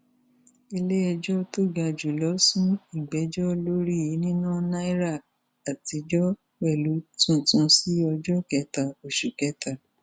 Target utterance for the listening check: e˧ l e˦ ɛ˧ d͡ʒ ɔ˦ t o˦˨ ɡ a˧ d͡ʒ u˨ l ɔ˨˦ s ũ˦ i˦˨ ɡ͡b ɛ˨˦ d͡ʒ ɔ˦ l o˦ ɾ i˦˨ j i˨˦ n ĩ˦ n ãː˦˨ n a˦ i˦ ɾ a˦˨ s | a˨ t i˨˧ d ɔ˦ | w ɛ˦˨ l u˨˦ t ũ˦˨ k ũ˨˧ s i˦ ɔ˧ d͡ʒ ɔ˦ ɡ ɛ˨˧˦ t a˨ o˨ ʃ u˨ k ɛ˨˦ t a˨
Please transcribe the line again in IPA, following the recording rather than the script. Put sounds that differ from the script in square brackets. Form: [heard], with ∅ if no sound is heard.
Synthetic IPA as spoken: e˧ l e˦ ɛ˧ d͡ʒ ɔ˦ t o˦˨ ɡ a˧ d͡ʒ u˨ l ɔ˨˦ s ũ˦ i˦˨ ɡ͡b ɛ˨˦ d͡ʒ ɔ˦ l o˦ ɾ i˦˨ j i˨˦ n ĩ˦ n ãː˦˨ n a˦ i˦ ɾ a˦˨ [∅] | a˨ t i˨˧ [d͡ʒ] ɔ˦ | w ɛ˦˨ l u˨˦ t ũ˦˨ [t] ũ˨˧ s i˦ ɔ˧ d͡ʒ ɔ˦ [k] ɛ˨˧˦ t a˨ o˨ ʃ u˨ k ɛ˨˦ t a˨